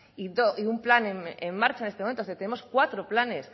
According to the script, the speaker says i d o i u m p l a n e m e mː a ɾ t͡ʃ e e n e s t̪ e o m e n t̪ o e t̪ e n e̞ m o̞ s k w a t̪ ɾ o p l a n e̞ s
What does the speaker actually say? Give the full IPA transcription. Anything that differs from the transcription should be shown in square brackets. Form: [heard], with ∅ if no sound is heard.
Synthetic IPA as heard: i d o i u m p l a n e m e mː a ɾ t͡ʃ [a] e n e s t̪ e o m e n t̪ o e t̪ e n e̞ m o̞ s k w a t̪ ɾ o p l a n e̞ s